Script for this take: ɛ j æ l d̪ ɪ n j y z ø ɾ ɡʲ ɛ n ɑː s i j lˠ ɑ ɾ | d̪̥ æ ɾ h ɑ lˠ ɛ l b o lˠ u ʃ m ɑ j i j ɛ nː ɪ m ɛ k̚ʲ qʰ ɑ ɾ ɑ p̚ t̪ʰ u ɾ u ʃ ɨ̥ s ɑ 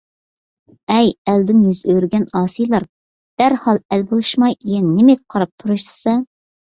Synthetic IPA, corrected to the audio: ɛ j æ l d̪ ɪ n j y z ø ɾ ɡʲ ɛ n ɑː s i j lˠ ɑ ɾ | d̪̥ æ ɾ h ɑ lˠ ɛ l b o lˠ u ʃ m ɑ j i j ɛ nː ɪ m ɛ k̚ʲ qʰ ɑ ɾ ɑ p̚ t̪ʰ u ɾ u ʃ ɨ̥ s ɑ